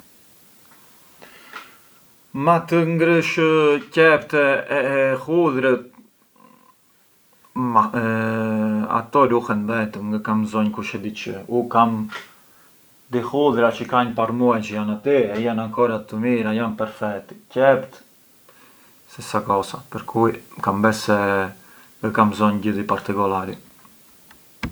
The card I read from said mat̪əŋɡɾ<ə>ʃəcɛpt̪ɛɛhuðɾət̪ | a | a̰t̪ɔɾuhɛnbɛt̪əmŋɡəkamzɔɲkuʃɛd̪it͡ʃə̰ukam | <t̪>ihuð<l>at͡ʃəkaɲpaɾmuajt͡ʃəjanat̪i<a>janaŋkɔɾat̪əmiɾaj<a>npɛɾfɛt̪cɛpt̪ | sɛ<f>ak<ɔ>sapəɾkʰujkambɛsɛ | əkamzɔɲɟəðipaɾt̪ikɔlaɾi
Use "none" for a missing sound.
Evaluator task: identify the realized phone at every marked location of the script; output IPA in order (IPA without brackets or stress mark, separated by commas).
ə, d̪, ɾ, ɛ, a, s, ɔ